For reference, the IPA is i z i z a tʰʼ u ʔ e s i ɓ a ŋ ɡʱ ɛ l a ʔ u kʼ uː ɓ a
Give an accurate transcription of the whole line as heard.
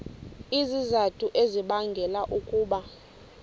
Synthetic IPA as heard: i z i z a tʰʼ u ʔ e z i ɓ a ŋ ɡʱ ɛ l a ʔ u kʼ uː ɓ a